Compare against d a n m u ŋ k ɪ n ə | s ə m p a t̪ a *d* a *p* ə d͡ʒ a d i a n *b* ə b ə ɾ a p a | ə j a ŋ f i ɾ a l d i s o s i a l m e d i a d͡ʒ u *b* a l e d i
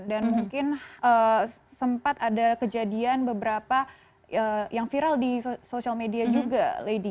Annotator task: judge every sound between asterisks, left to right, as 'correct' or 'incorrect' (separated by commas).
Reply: correct, incorrect, correct, incorrect